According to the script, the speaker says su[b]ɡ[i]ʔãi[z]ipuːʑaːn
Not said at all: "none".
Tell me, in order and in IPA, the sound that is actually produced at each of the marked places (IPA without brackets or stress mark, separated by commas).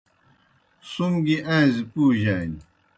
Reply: m, i, z